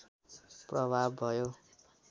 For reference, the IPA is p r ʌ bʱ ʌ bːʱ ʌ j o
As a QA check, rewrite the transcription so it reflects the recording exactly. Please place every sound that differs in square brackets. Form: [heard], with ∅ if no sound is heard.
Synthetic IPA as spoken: p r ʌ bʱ [a] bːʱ ʌ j o